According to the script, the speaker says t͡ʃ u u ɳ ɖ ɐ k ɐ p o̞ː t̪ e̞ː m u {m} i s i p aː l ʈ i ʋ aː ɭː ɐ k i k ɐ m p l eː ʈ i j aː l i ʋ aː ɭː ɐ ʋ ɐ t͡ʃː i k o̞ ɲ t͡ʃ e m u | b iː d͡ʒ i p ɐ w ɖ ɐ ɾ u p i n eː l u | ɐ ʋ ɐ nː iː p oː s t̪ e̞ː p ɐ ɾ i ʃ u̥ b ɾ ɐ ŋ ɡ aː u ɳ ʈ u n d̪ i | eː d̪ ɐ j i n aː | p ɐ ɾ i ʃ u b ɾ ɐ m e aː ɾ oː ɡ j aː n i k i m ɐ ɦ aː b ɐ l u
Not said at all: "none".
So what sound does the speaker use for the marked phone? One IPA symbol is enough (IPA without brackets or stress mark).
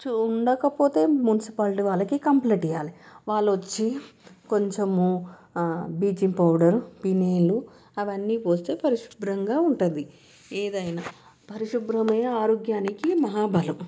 n